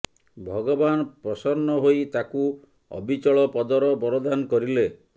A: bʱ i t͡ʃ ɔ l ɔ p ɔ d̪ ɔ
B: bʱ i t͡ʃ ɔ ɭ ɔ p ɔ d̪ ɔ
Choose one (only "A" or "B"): B